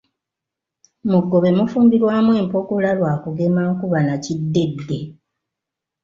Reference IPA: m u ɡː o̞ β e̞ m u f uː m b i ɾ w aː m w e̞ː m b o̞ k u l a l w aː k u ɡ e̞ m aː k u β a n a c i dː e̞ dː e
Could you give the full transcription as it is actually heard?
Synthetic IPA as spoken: m u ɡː o̞ β e̞ m u f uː m b i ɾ w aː m w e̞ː m p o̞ k u l a l w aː k u ɡ e̞ m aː k u β a n a c i dː e̞ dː e

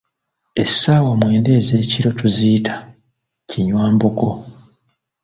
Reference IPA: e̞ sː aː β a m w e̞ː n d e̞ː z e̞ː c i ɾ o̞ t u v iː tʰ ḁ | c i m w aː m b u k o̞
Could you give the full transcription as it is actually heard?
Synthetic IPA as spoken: e̞ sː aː w a m w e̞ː n d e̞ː z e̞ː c i ɾ o̞ t u z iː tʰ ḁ | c i ɲ w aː m b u k o̞

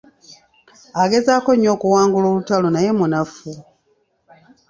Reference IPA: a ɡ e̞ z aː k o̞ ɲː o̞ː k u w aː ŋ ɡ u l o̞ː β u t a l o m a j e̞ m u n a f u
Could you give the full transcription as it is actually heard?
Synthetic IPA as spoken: a ɡ e̞ z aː k o̞ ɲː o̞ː k u w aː ŋ ɡ u l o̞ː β u t a l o n a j e̞ m u n a f u

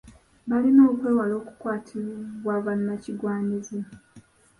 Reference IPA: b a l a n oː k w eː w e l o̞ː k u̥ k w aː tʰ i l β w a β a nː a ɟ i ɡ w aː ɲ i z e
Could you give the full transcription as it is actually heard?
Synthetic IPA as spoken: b a l i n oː k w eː w a l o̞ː k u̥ k w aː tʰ i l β w a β a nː a c i ɡ w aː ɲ i z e

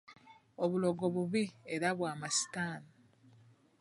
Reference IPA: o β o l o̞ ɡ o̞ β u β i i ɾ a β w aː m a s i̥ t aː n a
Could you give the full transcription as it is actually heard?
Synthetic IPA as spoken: o β u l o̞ ɡ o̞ β u β i e ɾ a β w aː m a s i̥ t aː n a

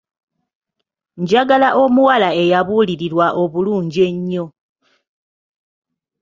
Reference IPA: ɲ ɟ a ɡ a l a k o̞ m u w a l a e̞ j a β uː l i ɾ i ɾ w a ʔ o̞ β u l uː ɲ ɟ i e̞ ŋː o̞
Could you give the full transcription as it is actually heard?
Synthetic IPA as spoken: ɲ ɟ a ɡ a l a ʔ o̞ m u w a l a e̞ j a β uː l i ɾ i ɾ w a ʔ o̞ β u l uː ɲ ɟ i e̞ ɲː o̞

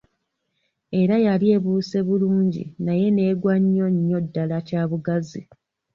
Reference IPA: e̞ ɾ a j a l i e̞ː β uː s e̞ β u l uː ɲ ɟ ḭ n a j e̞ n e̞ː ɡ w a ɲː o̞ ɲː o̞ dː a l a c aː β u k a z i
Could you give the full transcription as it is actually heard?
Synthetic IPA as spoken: e̞ ɾ a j a l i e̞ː β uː s e̞ β u l uː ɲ ɟ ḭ n a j e̞ n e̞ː ɡ w a ɲː o̞ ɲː o̞ dː a l a c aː β u ɡ a z i

